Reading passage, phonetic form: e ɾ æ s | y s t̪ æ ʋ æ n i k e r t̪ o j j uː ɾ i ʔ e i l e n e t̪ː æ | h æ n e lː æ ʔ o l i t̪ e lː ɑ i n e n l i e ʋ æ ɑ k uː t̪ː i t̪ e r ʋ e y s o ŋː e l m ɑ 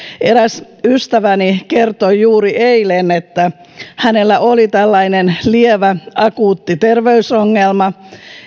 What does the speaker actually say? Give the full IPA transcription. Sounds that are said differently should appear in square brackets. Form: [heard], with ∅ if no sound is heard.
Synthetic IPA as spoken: e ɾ æ s | y s t̪ æ ʋ æ n i k e r t̪ o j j uː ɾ i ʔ e i l e n e t̪ː æ | h æ n e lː æ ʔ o l i t̪ [æ] lː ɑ i n e n l i e ʋ æ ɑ k uː t̪ː i t̪ e r ʋ e y s o ŋː e l m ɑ